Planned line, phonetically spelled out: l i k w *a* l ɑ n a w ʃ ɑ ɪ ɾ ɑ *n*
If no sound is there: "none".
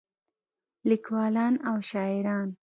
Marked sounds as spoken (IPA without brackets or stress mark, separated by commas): ɑ, n